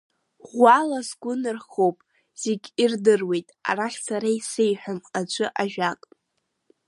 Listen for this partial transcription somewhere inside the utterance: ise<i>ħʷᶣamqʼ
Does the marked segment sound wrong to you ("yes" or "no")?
yes